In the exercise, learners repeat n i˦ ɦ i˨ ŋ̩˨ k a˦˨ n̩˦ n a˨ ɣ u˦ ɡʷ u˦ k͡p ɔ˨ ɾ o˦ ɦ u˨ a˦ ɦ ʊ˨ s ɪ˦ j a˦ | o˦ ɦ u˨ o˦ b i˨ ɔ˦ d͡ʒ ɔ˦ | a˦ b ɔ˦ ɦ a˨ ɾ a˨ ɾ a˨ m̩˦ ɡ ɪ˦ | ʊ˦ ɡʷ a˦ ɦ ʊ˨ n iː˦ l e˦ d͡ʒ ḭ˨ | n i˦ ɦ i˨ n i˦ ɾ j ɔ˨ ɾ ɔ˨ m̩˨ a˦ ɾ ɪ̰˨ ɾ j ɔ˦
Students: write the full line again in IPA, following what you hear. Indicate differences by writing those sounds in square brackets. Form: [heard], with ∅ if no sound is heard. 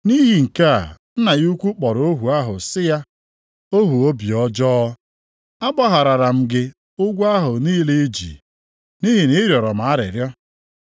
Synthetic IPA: n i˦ ɦ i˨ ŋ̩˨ k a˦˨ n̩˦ n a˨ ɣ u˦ [kʷ] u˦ k͡p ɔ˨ ɾ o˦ ɦ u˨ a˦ ɦ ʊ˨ s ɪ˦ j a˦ | o˦ ɦ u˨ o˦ b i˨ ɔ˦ d͡ʒ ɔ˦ | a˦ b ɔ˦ ɦ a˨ ɾ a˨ ɾ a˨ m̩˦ ɡ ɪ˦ | ʊ˦ ɡʷ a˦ ɦ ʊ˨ n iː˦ l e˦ d͡ʒ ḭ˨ | n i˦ ɦ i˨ n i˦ ɾ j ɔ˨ ɾ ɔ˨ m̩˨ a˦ ɾ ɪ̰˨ ɾ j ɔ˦